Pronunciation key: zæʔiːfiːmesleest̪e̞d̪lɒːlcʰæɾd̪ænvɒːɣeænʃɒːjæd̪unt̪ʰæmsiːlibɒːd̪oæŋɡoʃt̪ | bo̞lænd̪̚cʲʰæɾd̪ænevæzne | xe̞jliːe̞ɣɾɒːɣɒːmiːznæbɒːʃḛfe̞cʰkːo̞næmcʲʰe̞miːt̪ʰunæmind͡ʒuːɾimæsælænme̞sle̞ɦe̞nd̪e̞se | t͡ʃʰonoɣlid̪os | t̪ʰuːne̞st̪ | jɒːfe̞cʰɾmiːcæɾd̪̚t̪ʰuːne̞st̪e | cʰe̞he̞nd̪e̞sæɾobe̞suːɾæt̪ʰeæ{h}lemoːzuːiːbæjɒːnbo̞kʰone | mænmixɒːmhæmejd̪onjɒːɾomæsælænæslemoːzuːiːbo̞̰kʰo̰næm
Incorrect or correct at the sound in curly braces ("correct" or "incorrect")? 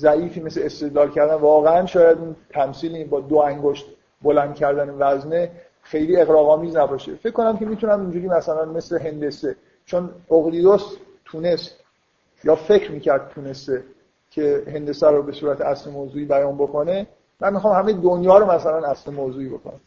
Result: incorrect